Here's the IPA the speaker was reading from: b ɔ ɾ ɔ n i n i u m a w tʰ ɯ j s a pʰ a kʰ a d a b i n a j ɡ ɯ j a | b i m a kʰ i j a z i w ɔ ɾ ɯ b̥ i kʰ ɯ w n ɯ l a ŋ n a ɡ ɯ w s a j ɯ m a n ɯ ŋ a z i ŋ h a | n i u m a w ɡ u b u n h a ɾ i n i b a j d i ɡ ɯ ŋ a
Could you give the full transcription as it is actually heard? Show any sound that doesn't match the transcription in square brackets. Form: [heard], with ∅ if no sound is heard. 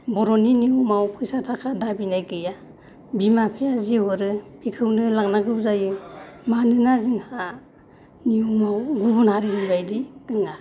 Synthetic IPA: b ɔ ɾ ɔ n i n i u m a w [pʰ] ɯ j s a [tʰ] a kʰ a d a b i n a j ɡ ɯ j a | b i m a [pʰ] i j a z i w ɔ ɾ ɯ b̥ i kʰ ɯ w n ɯ l a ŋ n a ɡ ɯ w [z] a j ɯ m a n ɯ [n] a z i ŋ h a | n i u m a w ɡ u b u n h a ɾ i n i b a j d i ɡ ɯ ŋ a